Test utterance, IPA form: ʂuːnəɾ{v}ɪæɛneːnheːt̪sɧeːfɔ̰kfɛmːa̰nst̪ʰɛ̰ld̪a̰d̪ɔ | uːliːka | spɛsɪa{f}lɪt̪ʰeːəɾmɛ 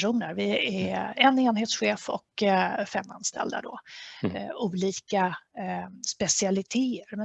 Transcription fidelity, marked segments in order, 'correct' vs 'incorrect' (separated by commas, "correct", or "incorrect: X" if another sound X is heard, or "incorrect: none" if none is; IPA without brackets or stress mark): correct, incorrect: none